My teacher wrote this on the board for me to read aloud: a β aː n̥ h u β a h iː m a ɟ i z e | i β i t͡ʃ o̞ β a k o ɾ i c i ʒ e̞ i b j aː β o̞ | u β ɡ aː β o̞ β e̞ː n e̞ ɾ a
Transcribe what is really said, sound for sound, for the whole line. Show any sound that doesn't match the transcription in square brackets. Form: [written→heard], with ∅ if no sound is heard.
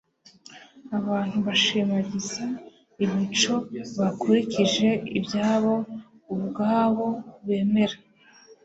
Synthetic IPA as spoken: a β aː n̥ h u β a [h→ʃ] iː m a ɟ i z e | i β i t͡ʃ o̞ β a k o ɾ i c i ʒ e̞ i b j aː β o̞ | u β ɡ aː β o̞ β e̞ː [n→m] e̞ ɾ a